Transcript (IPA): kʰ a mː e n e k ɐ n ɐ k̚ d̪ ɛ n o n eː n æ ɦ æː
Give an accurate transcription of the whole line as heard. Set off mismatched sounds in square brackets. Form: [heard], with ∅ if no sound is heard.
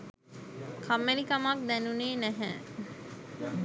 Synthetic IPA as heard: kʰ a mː e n [i] k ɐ [m] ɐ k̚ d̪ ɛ n [u] n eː n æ ɦ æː